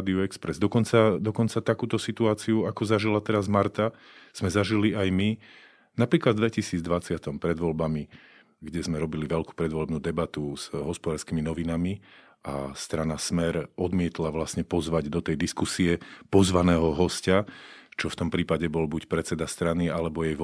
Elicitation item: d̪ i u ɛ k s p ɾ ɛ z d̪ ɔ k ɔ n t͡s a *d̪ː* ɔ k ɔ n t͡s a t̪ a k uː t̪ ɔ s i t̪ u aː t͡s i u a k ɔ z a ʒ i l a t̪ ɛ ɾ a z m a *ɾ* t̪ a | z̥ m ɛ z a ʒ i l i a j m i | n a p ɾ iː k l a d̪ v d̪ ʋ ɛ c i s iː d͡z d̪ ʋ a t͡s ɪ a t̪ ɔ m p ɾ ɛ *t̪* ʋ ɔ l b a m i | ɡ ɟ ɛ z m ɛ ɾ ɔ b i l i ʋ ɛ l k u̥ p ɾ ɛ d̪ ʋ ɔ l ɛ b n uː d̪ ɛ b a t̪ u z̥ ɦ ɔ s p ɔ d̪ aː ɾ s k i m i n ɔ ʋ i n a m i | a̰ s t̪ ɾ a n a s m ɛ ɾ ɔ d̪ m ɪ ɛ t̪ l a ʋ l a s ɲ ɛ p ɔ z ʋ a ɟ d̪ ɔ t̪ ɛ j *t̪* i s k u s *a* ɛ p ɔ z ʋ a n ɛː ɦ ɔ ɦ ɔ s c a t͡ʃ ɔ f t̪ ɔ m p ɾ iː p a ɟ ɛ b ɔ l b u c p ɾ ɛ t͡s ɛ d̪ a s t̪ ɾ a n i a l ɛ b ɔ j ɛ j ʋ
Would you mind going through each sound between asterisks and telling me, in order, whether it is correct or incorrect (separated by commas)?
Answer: incorrect, correct, incorrect, incorrect, incorrect